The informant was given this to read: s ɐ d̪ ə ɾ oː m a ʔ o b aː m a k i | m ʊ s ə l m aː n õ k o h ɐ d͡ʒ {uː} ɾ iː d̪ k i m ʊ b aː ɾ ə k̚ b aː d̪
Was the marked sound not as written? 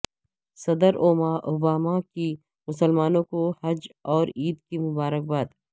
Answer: yes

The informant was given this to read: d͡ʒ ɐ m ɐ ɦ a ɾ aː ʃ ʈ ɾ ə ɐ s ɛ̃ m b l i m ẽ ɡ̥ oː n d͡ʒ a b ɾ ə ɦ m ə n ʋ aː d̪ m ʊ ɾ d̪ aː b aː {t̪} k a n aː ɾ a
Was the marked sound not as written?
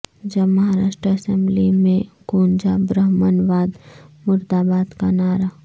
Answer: yes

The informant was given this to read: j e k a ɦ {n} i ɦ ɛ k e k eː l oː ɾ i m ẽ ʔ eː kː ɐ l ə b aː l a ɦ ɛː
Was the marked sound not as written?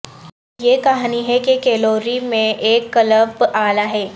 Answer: no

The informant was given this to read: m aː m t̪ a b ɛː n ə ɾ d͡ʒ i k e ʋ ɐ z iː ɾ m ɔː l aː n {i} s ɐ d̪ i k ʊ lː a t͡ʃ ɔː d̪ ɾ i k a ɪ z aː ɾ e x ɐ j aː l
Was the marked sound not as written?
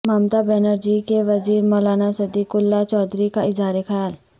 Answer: yes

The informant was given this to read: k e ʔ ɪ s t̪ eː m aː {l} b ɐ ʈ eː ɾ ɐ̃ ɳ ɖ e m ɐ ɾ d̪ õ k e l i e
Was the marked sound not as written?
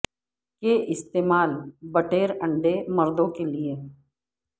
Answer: no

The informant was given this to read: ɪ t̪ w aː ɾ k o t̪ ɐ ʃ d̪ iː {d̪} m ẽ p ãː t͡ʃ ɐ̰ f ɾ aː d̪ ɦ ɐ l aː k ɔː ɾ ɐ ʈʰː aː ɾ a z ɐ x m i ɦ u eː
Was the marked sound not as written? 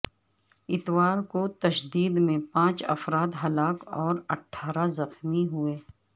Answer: no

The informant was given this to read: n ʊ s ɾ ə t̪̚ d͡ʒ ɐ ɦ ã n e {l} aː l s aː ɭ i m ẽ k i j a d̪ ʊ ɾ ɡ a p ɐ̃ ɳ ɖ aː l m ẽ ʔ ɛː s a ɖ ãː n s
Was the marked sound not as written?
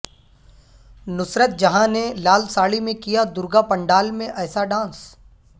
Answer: no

